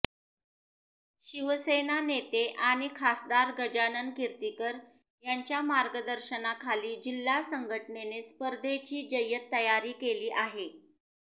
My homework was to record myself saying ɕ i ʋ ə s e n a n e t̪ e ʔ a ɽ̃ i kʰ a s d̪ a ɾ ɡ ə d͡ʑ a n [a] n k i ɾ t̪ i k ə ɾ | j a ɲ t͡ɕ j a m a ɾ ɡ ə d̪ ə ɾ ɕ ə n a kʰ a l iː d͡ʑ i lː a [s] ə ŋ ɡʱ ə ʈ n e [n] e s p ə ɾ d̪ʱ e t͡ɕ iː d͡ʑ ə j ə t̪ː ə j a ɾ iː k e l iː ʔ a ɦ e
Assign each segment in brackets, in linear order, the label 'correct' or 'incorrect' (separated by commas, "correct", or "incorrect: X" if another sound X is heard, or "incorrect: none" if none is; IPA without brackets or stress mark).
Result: incorrect: ə, correct, correct